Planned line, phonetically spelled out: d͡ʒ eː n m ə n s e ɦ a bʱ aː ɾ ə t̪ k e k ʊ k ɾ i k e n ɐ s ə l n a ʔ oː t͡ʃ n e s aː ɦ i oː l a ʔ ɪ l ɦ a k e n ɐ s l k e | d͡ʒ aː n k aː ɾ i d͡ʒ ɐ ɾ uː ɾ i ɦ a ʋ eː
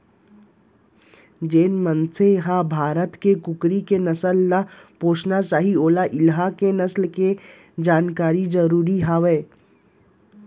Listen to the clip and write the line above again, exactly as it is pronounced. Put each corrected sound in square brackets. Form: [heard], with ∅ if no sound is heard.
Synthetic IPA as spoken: d͡ʒ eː n m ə n s e ɦ a bʱ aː ɾ ə t̪ k e k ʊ k ɾ i k e n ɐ s ə l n a [p] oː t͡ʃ n [a] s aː ɦ i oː l a ʔ ɪ l ɦ a k e n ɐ s l k e | d͡ʒ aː n k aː ɾ i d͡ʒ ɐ ɾ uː ɾ i ɦ a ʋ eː